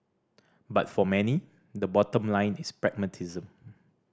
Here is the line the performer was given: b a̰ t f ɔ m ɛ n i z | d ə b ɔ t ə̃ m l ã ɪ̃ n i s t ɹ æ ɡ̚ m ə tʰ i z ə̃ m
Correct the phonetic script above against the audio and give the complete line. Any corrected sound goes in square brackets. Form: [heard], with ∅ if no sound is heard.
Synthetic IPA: b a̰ t f ɔ m ɛ n i [∅] | d ə b ɔ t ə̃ m l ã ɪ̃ n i s [p] ɹ [ɛ] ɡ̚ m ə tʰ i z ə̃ m